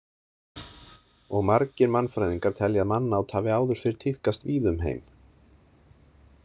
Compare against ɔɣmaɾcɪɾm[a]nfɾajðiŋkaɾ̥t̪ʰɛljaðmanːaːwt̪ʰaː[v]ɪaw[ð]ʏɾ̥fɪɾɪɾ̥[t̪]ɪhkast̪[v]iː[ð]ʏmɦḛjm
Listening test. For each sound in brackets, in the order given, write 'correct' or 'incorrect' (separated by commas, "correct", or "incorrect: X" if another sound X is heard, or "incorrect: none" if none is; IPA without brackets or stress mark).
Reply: correct, correct, correct, incorrect: t̪ʰ, correct, correct